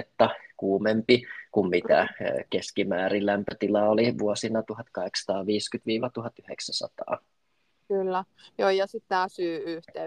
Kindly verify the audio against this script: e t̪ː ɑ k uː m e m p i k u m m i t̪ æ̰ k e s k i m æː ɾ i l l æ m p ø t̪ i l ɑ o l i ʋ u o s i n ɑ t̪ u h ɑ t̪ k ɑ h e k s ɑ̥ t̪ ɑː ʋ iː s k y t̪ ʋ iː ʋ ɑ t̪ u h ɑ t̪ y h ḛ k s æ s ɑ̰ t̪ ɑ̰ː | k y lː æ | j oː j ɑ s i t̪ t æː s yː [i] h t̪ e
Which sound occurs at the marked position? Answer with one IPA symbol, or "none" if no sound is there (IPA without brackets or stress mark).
y